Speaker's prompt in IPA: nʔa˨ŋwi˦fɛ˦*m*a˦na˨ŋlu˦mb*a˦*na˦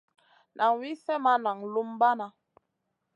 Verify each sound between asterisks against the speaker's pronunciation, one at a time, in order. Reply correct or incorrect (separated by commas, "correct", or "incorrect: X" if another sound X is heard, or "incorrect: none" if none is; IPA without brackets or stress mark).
correct, correct